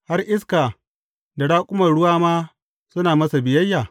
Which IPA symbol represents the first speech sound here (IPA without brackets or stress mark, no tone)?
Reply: h